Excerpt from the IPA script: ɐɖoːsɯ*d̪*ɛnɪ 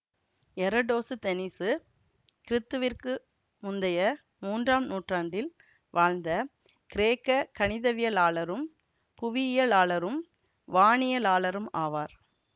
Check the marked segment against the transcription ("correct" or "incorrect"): incorrect